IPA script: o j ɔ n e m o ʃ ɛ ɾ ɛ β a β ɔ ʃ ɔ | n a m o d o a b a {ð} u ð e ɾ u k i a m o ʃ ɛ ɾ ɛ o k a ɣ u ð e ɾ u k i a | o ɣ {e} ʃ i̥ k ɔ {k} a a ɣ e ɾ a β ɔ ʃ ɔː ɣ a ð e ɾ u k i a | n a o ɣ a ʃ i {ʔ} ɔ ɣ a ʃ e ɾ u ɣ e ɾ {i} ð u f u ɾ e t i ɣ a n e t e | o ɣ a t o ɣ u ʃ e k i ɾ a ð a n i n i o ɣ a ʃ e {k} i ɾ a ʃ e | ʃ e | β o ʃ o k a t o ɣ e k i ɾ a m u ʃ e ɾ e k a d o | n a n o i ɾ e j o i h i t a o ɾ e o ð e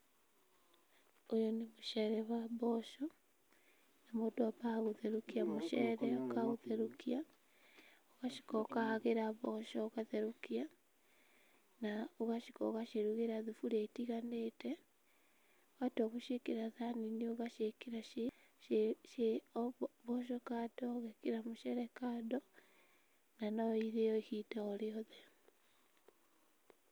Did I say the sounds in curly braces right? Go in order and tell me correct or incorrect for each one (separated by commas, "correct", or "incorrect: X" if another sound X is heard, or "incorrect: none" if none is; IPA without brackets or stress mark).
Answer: incorrect: ɣ, incorrect: a, correct, incorrect: k, incorrect: a, correct